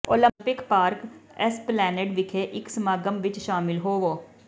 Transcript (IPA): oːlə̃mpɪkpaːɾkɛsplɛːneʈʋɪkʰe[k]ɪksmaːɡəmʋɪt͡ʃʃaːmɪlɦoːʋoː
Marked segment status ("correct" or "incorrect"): incorrect